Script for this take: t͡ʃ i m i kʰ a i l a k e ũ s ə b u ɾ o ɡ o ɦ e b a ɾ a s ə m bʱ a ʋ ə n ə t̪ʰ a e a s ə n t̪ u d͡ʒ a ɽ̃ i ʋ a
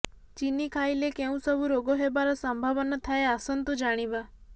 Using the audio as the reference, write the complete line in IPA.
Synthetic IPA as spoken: t͡ʃ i n i kʰ a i l e k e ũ s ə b u ɾ o ɡ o ɦ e b a ɾ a s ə m bʱ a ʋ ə n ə t̪ʰ a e a s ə n t̪ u d͡ʒ a ɽ̃ i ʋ a